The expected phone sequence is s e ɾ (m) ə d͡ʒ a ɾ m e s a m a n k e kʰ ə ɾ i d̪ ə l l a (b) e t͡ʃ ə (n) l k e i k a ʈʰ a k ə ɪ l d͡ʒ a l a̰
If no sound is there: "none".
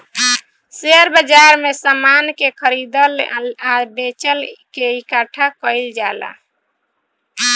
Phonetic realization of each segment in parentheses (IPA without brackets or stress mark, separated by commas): b, b, none